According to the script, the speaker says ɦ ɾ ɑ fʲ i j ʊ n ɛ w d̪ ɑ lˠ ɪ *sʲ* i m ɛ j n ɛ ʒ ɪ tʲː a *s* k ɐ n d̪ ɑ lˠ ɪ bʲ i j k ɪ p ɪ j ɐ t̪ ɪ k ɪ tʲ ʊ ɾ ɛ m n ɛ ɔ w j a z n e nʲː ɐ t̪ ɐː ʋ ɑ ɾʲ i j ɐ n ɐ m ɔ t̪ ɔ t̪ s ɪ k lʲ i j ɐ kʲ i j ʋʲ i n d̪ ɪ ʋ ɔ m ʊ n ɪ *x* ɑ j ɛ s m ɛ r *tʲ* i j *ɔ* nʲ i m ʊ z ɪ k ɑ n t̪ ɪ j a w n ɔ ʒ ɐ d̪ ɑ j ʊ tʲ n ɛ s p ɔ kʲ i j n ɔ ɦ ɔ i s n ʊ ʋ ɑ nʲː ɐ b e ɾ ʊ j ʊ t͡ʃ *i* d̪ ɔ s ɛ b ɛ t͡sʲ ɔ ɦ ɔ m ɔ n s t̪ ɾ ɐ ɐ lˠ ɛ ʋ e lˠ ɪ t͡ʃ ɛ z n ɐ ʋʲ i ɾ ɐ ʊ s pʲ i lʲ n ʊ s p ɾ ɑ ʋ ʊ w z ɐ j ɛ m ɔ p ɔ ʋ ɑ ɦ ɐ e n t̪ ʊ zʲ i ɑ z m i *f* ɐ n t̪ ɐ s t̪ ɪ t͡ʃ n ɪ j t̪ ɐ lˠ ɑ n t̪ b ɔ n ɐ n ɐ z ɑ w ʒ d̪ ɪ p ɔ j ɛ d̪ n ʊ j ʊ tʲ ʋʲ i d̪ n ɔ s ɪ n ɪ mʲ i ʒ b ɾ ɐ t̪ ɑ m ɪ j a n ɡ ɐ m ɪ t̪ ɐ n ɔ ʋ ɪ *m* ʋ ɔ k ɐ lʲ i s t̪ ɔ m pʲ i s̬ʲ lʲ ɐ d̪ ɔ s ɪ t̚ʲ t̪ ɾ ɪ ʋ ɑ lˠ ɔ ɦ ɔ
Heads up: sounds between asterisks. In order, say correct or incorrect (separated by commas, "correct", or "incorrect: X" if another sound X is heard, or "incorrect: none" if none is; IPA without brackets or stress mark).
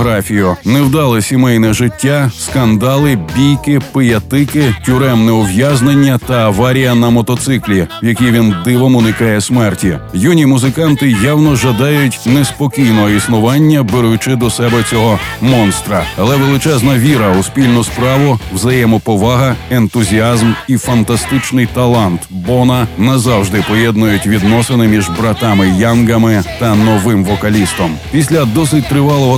correct, correct, incorrect: k, correct, incorrect: u, incorrect: ɪ, correct, correct